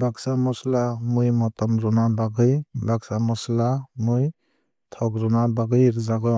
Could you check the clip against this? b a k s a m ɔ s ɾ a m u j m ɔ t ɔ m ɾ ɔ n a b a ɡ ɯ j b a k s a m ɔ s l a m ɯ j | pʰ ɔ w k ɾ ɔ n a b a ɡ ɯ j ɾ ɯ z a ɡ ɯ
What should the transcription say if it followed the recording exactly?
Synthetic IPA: b a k s a m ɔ s l a m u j m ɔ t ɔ m ɾ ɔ n a b a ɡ ɯ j b a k s a m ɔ s l a m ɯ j | tʰ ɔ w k ɾ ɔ n a b a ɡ ɯ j ɾ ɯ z a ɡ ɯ